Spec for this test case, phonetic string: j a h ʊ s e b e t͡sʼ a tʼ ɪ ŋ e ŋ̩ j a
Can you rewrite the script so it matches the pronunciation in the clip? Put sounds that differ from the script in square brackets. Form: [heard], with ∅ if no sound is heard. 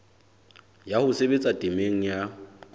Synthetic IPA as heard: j a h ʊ s e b e t͡sʼ a tʼ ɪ [m] e ŋ̩ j a